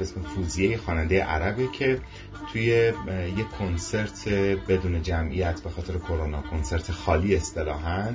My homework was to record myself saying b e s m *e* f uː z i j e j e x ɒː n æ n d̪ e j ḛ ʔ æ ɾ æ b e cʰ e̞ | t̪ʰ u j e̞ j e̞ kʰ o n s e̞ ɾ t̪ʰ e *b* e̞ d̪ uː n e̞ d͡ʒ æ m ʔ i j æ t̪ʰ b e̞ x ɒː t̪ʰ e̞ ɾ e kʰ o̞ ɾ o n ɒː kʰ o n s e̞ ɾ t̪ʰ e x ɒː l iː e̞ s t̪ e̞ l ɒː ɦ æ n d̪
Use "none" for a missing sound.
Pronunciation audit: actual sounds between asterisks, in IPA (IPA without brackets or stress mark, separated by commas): e, b